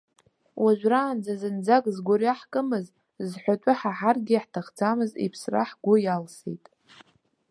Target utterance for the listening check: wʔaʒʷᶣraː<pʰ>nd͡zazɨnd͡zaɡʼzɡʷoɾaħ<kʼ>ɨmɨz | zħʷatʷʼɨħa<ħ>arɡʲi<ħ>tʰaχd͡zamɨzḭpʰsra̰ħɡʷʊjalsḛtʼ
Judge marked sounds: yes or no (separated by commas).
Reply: no, yes, yes, yes